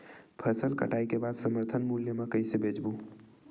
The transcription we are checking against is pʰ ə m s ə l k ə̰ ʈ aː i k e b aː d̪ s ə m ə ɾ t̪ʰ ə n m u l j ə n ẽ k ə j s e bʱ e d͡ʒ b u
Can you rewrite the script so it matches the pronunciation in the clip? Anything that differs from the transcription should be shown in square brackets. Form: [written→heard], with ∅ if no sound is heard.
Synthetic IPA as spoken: pʰ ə [m→∅] s ə l k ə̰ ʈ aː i k e b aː d̪ s ə m ə ɾ t̪ʰ ə n m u l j ə [n→m] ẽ k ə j s e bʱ e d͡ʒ b u